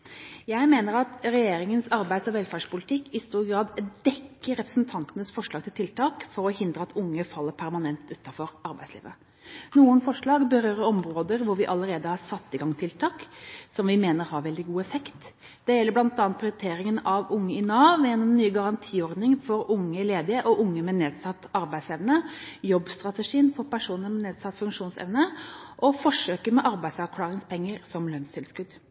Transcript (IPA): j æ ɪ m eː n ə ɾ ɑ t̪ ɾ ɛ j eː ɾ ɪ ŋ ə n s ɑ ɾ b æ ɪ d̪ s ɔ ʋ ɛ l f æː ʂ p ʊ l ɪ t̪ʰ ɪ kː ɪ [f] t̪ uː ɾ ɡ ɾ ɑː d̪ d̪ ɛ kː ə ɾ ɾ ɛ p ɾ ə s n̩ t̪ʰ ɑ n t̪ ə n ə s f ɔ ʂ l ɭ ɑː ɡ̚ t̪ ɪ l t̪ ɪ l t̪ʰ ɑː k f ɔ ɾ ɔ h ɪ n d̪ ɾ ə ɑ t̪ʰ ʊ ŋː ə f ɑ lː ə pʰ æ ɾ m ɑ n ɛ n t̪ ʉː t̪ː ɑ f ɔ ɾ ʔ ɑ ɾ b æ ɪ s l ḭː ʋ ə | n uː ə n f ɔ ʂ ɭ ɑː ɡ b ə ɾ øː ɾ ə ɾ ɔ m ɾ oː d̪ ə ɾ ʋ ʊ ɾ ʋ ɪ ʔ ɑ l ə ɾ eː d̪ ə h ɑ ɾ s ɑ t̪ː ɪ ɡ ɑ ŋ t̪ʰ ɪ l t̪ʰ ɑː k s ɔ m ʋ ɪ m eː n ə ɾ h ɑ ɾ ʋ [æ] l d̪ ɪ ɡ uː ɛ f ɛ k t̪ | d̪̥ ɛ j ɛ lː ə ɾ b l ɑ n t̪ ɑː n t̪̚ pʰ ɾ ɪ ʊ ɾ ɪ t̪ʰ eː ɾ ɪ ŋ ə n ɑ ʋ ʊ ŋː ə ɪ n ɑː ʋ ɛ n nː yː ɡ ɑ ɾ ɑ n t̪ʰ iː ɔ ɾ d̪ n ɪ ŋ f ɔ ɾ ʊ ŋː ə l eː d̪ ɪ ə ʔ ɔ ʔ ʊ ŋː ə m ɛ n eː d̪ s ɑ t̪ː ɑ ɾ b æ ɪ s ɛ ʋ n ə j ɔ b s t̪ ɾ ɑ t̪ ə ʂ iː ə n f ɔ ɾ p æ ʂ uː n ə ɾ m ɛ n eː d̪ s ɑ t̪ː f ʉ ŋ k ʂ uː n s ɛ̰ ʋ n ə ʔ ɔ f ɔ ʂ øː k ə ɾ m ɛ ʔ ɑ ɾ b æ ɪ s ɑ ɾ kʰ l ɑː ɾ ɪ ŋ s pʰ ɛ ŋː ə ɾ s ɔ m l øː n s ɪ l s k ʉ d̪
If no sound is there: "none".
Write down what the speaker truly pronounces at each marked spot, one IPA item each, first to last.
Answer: s, ɛ

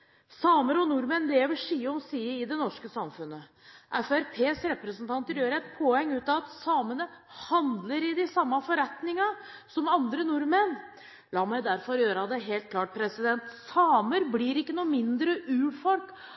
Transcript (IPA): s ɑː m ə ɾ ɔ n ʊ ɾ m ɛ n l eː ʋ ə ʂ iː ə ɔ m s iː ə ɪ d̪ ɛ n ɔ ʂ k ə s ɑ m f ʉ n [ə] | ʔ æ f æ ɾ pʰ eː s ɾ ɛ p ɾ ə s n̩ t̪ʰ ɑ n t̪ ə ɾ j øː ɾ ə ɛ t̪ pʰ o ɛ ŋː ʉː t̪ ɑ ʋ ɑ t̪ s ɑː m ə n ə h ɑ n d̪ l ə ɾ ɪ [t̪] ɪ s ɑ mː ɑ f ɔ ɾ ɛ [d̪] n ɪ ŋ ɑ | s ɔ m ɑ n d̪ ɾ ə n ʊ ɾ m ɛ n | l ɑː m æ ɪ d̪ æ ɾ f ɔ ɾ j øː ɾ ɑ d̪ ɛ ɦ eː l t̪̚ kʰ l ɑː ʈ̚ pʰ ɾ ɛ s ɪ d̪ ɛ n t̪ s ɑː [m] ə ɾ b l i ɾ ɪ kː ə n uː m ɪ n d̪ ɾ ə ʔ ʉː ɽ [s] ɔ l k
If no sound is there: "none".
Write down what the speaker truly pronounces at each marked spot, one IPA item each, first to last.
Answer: ə, d̪, t̪, m, f

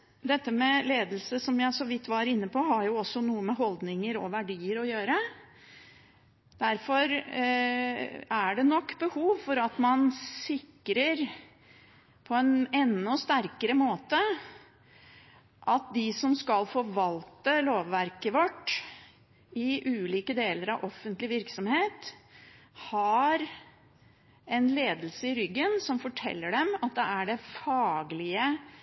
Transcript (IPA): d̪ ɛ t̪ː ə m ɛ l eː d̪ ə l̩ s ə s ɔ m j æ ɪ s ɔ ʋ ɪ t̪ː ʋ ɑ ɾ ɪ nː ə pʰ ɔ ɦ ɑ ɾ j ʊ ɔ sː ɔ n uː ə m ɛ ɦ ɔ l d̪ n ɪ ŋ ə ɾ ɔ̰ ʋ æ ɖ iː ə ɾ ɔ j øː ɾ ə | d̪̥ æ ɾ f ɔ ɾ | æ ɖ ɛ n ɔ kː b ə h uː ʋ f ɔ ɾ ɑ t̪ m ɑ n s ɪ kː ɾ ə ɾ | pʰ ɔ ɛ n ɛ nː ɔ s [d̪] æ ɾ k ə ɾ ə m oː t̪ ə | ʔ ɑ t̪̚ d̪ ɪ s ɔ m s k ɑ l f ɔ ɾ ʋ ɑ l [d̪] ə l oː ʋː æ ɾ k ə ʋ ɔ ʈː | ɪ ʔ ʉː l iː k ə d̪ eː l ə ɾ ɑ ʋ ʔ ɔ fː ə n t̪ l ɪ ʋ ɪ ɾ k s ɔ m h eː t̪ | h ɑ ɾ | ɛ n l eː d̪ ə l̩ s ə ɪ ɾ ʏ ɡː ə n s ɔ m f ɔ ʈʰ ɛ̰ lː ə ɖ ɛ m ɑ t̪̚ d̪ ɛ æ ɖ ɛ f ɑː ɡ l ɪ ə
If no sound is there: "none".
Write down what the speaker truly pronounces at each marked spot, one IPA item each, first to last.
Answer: t̪, t̪

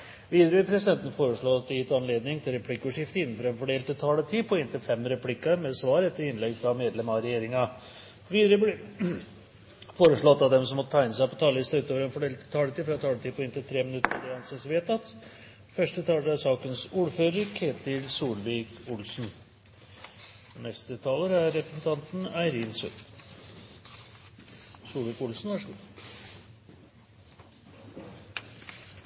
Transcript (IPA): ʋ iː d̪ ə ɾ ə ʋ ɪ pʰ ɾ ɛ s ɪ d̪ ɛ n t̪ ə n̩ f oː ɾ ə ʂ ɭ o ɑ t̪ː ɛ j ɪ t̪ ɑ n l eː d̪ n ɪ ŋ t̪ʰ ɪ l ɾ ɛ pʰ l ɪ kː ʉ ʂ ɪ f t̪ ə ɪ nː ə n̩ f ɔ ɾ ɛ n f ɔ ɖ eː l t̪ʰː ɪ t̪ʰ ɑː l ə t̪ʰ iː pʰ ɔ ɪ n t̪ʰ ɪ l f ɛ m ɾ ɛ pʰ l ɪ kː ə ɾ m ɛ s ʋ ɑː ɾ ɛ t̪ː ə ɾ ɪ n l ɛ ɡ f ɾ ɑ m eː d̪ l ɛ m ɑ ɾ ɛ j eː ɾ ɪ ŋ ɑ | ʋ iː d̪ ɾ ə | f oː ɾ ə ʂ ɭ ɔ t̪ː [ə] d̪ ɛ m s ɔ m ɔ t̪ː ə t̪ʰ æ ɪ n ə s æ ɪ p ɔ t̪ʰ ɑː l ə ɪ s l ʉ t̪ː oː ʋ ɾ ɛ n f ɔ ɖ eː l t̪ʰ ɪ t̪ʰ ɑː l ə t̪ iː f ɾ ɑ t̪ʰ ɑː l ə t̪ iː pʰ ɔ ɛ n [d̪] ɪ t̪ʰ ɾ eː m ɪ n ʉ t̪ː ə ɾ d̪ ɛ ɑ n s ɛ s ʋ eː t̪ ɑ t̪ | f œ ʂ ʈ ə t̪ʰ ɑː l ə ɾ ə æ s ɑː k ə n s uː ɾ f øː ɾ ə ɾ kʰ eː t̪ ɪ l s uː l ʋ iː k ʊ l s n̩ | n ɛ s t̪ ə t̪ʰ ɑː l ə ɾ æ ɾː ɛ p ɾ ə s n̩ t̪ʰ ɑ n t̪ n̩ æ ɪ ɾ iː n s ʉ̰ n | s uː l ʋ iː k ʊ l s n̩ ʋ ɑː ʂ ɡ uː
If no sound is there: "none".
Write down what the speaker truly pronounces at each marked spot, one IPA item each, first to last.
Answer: ɑ, t̪

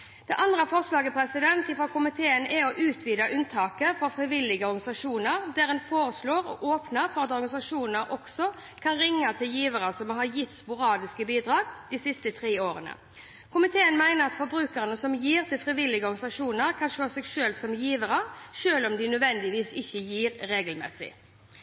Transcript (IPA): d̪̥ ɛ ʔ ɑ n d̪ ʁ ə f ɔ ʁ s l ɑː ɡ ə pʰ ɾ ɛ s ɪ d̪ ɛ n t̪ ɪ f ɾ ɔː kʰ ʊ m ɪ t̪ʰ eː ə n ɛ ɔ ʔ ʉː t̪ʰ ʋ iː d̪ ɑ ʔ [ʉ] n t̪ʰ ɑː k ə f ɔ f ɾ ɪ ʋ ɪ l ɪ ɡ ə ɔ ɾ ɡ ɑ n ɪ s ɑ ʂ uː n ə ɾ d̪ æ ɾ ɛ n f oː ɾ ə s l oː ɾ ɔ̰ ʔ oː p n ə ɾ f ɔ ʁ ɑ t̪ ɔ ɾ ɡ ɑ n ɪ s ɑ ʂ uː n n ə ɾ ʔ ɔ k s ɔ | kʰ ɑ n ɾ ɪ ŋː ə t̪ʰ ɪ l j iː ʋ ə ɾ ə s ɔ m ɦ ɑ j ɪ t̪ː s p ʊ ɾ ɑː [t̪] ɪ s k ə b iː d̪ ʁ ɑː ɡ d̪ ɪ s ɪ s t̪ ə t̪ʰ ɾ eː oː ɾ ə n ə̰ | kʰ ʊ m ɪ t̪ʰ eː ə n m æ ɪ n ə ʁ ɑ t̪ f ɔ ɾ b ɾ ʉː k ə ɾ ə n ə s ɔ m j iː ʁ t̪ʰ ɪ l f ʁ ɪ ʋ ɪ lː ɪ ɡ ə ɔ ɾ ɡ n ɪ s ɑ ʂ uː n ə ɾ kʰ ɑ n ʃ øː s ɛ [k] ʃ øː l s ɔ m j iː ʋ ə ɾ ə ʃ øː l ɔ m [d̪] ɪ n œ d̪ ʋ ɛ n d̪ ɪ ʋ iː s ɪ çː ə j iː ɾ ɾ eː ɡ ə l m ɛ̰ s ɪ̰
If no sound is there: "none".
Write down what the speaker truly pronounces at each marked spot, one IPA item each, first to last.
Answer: ʉ, d̪, ɡ, d̪

